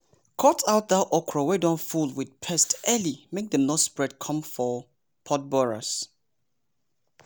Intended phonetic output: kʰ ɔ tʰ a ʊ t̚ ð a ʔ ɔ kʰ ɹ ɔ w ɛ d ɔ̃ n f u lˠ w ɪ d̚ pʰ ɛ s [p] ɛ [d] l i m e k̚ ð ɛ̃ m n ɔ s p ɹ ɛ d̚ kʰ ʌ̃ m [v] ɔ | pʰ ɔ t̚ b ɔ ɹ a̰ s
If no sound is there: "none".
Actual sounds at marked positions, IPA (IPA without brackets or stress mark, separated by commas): t, none, f